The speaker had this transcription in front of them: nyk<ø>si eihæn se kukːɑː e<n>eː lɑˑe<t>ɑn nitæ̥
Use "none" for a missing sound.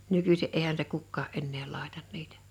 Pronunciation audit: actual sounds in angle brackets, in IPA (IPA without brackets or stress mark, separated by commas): y, nː, t